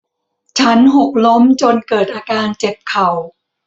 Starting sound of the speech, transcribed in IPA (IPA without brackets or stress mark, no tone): t͡ɕʰ